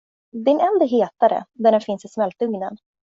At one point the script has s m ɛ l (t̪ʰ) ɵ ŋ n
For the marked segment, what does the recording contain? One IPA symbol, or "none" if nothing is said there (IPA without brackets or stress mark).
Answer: t̪